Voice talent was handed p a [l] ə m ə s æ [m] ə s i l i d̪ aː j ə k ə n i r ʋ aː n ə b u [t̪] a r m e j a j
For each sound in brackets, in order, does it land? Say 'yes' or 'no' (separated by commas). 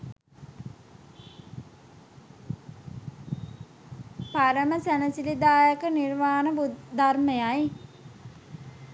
no, no, no